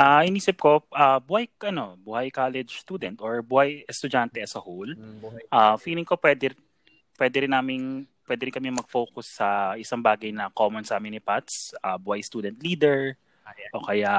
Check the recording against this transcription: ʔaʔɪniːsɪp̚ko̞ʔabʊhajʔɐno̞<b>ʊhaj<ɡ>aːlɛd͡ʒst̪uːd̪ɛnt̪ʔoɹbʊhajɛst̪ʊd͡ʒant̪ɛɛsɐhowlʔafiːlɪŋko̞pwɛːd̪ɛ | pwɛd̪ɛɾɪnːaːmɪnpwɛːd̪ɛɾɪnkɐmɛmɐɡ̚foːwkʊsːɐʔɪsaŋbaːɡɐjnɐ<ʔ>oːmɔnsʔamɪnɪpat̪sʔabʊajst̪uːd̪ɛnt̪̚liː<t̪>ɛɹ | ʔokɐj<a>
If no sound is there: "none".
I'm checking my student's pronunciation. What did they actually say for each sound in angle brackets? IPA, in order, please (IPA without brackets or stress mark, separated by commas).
b, k, k, d̪, a